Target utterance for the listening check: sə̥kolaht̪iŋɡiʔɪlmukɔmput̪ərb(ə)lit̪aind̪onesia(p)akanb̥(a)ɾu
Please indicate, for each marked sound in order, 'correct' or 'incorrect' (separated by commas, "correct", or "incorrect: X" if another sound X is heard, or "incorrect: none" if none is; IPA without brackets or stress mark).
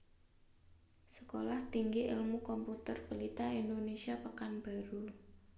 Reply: correct, correct, correct